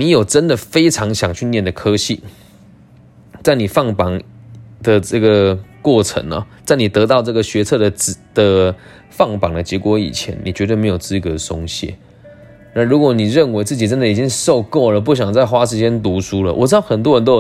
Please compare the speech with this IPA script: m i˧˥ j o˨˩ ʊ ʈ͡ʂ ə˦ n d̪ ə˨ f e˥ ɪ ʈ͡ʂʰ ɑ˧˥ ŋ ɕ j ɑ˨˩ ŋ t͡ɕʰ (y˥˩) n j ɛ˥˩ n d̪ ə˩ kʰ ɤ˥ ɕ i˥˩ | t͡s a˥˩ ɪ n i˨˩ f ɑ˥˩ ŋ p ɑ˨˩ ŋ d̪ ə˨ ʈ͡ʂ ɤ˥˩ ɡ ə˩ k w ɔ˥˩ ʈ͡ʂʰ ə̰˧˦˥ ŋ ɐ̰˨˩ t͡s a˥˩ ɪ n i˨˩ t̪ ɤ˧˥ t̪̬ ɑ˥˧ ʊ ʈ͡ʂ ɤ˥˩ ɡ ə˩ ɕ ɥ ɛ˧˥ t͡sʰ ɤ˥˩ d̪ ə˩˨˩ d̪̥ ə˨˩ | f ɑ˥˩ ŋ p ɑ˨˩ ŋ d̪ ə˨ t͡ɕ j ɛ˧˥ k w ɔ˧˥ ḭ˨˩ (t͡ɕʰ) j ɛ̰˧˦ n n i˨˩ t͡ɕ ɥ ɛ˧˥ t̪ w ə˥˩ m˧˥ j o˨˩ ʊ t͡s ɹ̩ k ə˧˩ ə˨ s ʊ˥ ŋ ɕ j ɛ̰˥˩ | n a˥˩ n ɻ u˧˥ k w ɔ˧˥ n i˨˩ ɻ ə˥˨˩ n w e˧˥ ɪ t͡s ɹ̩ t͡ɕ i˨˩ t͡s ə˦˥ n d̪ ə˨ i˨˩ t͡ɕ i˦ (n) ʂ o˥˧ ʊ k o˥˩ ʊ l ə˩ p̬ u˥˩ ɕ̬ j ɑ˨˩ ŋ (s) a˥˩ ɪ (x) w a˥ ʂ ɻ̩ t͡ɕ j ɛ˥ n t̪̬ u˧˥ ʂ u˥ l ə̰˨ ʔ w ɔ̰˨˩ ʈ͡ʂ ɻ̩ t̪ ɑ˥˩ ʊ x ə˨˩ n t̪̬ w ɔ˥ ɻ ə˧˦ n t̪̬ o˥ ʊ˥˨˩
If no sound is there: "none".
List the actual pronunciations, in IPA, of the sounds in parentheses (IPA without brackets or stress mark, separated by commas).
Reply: y˥˧, t͡ɕʰ, ŋ, t͡s, x